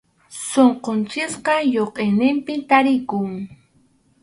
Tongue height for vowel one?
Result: mid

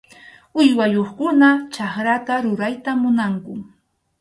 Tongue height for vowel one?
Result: high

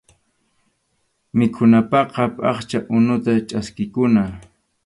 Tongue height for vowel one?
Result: high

